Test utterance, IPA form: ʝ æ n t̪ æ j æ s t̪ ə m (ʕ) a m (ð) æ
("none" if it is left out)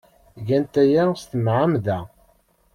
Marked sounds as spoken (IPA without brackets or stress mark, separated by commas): ʕ, ð